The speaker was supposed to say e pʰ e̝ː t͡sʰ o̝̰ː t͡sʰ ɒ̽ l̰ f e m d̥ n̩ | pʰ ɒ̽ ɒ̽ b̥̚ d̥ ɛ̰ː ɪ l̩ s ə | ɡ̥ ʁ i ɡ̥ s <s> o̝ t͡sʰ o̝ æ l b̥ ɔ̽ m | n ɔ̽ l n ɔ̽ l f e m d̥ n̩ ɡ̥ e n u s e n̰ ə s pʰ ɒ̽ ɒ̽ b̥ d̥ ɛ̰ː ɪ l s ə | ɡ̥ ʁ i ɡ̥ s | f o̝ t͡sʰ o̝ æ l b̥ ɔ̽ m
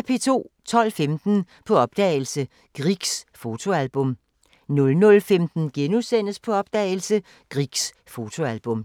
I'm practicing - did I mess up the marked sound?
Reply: yes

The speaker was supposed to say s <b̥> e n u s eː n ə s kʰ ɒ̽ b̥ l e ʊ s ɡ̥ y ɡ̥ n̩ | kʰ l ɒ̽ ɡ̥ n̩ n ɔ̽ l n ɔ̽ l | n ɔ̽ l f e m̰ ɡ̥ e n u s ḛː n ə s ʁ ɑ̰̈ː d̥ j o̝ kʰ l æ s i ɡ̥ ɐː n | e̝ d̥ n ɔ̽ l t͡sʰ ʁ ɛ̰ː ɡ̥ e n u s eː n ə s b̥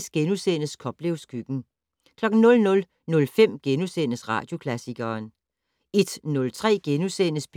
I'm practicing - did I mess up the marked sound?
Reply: yes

